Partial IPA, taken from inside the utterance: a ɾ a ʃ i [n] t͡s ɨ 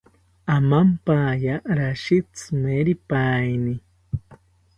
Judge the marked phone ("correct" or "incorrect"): incorrect